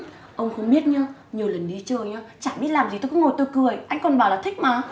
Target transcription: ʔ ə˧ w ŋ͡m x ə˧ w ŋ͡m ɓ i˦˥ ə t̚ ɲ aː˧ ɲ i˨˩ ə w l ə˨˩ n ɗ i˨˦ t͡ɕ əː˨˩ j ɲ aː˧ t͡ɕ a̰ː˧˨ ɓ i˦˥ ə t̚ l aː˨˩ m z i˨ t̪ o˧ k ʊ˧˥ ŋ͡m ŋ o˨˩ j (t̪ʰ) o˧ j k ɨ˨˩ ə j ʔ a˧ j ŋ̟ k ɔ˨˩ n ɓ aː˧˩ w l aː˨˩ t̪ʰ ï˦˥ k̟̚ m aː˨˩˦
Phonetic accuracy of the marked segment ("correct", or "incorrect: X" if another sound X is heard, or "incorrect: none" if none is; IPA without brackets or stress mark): incorrect: t̪